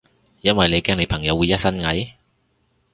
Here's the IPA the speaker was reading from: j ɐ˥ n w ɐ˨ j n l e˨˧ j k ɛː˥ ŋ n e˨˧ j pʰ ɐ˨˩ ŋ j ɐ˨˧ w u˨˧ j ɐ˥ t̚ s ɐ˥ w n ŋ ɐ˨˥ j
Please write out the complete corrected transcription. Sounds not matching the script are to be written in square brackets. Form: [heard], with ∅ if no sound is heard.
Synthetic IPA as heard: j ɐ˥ n w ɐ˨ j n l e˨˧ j k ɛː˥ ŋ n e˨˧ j pʰ ɐ˨˩ ŋ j ɐ˨˧ w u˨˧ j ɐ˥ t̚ s ɐ˥ [∅] n ŋ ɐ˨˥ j